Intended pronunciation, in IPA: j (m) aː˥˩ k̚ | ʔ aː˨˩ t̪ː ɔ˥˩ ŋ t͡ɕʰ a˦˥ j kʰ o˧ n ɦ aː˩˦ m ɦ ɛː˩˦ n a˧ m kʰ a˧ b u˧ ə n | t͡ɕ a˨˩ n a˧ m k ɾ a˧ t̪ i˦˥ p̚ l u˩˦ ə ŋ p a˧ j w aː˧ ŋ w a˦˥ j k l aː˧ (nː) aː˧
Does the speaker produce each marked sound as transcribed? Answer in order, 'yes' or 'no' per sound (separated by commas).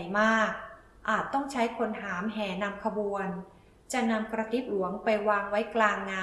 yes, no